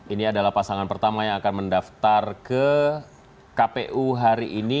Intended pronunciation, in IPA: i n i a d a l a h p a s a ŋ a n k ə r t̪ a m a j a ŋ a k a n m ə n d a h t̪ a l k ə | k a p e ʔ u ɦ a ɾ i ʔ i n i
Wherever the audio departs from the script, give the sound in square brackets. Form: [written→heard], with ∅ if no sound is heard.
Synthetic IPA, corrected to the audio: i n i a d a l a h p a s a ŋ a n [k→p] ə r t̪ a m a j a ŋ a k a n m ə n d a [h→f] t̪ a [l→r] k ə | k a p e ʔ u ɦ a ɾ i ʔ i n i